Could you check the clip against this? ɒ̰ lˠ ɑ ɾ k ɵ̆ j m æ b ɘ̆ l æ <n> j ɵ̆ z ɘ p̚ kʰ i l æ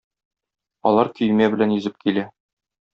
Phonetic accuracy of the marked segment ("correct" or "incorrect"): correct